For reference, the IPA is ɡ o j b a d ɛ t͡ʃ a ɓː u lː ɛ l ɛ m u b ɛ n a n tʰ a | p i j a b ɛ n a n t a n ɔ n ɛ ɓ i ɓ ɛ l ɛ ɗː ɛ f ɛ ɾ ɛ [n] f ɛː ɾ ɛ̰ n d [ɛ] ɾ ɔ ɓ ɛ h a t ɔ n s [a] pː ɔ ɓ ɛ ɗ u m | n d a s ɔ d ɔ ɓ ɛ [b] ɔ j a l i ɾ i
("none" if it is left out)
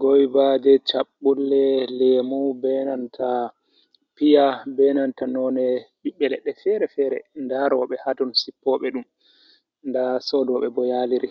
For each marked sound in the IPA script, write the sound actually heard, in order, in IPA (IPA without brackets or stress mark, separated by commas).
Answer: none, a, i, b